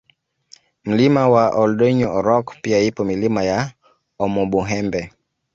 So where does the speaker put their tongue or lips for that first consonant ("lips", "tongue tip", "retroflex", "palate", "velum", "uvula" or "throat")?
lips